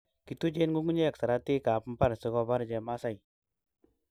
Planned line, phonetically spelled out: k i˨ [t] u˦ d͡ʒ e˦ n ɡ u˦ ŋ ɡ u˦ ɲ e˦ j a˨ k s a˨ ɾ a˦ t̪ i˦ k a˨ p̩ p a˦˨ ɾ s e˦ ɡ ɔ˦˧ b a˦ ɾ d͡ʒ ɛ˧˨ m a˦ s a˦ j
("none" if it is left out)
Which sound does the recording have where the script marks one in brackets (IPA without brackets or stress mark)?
t